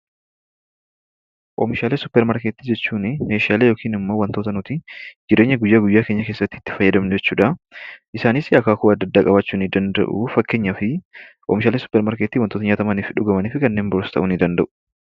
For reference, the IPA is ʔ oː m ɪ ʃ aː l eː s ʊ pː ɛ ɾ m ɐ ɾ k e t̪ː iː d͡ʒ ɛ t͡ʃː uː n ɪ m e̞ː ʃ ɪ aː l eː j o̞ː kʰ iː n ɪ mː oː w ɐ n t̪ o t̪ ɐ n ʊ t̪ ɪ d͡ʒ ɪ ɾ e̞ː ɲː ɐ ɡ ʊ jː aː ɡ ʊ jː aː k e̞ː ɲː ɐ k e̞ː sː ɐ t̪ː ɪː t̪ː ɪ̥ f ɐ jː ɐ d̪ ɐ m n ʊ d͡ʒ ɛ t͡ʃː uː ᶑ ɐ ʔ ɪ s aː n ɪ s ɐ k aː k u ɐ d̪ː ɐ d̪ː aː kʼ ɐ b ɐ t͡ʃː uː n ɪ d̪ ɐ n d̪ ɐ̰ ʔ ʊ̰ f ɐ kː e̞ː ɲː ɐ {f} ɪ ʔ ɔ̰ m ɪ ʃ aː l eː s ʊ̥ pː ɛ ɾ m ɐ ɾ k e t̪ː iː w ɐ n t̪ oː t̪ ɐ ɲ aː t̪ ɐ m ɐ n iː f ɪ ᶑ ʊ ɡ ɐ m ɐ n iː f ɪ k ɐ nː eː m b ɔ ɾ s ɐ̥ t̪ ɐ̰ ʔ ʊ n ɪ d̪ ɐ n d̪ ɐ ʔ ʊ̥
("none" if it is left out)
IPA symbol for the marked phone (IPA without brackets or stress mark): f